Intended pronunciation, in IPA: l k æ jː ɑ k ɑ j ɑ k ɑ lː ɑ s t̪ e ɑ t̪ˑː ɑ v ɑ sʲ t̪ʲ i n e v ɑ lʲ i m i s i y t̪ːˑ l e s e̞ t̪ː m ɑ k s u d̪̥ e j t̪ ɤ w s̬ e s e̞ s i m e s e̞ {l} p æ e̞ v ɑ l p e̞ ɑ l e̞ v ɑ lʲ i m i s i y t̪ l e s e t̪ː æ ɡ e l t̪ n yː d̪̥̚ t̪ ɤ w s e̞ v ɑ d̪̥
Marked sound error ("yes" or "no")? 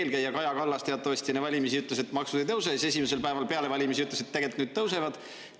no